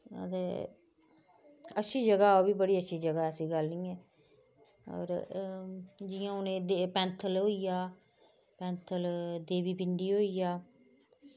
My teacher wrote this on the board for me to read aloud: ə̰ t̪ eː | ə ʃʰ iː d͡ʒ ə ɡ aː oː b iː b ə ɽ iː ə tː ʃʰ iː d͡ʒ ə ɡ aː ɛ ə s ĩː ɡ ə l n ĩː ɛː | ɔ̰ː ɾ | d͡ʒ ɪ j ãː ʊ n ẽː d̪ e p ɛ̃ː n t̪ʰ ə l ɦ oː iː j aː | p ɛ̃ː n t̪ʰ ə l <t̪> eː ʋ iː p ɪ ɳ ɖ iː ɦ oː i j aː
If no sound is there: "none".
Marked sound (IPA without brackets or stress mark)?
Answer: d̪